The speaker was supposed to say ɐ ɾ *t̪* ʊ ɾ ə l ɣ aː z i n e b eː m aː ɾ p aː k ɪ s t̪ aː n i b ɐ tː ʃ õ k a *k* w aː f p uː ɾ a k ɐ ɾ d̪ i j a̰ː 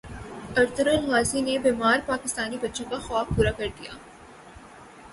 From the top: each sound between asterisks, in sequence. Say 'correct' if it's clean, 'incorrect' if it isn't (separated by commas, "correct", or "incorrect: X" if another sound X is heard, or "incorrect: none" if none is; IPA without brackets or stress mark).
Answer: correct, incorrect: x